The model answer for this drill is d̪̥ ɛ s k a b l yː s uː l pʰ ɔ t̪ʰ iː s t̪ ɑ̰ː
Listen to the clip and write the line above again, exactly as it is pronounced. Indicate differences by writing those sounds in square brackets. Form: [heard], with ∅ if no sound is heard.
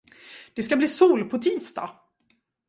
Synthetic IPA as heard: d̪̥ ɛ s k a b l [iː] s uː l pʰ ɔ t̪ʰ iː s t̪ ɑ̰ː